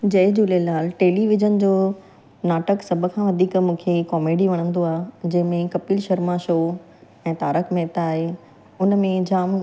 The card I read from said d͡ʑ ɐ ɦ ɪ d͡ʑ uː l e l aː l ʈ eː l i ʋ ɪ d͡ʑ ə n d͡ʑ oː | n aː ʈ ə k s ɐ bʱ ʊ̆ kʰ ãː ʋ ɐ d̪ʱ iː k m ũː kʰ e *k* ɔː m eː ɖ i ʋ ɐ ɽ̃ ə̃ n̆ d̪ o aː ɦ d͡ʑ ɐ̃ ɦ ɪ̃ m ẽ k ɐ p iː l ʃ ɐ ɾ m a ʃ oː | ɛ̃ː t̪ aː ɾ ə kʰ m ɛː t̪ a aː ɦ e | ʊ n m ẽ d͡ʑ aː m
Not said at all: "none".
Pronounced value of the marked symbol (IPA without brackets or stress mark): k